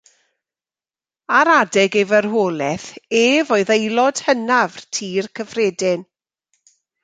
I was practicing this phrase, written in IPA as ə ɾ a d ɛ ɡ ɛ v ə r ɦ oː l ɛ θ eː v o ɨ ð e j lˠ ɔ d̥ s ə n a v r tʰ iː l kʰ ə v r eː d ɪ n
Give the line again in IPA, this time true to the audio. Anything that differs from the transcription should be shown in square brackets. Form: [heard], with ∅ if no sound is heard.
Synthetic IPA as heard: [a] ɾ a d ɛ ɡ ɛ v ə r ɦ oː l ɛ θ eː v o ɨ ð e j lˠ ɔ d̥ [h] ə n a v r tʰ iː [r] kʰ ə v r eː d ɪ n